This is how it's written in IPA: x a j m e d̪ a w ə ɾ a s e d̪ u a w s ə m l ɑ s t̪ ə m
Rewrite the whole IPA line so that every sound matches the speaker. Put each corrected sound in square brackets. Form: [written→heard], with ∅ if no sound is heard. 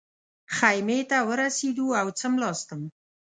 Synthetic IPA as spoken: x a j m e [d̪→t̪] a w ə ɾ a s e d̪ u a w [s→t͡s] ə m l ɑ s t̪ ə m

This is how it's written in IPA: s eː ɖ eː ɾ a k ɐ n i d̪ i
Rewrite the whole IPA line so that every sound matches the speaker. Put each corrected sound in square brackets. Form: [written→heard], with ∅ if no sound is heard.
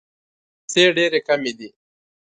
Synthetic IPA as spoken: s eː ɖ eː ɾ [a→e] k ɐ [n→m] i d̪ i

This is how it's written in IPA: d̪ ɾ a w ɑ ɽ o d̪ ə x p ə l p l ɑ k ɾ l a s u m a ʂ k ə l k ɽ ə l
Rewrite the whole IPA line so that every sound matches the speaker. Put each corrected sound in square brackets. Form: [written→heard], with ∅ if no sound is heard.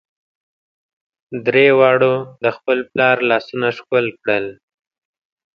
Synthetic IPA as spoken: d̪ ɾ [a→e] w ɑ ɽ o d̪ ə x p ə l p l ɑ [k→∅] ɾ l [a→ɑ] s u [m→n] a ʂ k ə l k ɽ ə l

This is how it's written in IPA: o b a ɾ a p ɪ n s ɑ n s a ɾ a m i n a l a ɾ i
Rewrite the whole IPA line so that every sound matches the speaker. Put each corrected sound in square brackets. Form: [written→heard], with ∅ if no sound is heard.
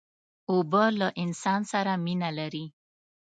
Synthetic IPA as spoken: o b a [ɾ→l] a [p→ʔ] ɪ n s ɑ n s a ɾ a m i n a l a ɾ i

